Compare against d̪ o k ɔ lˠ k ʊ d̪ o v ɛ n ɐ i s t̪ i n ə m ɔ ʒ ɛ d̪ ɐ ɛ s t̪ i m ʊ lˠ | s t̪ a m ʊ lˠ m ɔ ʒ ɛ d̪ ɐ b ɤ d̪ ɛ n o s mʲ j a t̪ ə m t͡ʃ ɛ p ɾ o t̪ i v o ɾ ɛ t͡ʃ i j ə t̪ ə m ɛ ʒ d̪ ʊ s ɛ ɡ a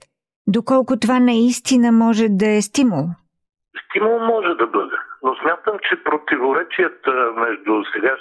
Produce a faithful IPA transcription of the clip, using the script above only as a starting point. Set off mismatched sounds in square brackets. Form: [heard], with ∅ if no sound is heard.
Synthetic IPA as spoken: d̪ o k ɔ lˠ k ʊ [t̪] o v [a] n ɐ i s t̪ i n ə m ɔ ʒ ɛ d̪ ɐ ɛ s t̪ i m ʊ lˠ | s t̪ [i] m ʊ lˠ m ɔ ʒ ɛ d̪ ɐ b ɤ d̪ ɛ n o s mʲ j a t̪ ə m t͡ʃ ɛ p ɾ o t̪ i v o ɾ ɛ t͡ʃ i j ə t̪ ə m ɛ ʒ d̪ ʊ s ɛ ɡ a